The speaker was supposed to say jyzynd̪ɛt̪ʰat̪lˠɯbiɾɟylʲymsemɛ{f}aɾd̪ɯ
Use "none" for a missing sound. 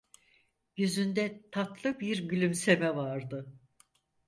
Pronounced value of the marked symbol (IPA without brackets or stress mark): v